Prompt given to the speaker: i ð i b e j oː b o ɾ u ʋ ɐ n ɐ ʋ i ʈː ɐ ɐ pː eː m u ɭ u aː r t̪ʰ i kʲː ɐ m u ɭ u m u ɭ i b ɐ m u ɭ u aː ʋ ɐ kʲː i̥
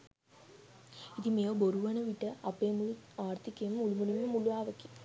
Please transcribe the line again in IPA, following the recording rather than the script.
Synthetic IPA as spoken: i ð i m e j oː b o ɾ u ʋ ɐ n ɐ ʋ i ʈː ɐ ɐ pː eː m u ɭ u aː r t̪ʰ i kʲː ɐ m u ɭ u m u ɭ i m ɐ m u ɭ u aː ʋ ɐ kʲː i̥